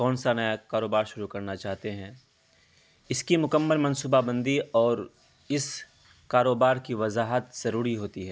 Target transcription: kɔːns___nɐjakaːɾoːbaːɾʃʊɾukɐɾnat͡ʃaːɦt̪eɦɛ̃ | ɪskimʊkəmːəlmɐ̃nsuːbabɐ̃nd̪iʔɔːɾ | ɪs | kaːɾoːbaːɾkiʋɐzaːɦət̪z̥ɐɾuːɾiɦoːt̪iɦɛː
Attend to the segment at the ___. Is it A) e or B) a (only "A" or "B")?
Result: B